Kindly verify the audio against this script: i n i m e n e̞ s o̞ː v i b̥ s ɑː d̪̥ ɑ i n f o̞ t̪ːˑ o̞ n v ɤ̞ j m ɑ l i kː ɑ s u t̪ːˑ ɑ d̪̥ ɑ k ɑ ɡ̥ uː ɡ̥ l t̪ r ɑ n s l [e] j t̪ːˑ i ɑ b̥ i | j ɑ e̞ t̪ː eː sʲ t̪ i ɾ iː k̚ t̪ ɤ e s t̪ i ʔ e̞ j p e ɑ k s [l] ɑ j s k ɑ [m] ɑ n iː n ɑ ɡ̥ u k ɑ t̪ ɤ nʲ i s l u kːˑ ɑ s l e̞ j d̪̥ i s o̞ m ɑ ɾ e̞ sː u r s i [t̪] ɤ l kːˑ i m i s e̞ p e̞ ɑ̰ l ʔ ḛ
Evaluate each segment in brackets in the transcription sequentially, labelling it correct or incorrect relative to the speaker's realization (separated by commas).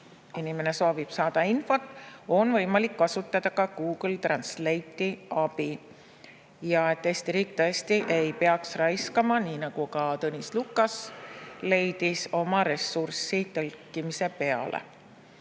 correct, incorrect, correct, correct